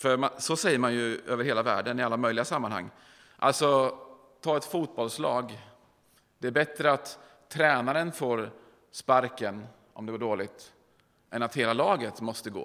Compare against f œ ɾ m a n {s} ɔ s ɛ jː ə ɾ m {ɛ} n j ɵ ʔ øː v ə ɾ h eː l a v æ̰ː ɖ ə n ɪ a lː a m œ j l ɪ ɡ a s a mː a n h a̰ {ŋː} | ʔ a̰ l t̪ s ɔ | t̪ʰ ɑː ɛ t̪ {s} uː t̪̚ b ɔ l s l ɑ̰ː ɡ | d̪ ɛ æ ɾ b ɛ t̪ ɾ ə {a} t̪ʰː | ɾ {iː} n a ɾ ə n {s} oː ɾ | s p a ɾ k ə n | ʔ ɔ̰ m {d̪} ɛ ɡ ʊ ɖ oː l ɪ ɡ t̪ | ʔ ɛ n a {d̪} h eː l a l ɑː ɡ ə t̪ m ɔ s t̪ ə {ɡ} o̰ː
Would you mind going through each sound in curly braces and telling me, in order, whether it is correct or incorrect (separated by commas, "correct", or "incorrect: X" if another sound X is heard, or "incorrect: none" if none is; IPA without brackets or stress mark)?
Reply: correct, incorrect: a, correct, incorrect: f, correct, incorrect: ɛː, incorrect: f, correct, incorrect: t̪, correct